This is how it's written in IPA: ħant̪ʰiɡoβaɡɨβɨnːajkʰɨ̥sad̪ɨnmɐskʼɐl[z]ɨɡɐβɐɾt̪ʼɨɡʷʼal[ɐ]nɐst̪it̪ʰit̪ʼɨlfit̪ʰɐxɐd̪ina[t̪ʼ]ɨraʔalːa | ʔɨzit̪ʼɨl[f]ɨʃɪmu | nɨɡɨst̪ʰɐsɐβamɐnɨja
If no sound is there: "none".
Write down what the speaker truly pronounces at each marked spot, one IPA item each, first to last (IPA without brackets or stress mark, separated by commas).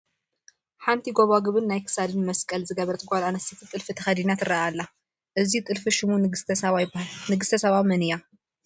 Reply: z, a, t̪, f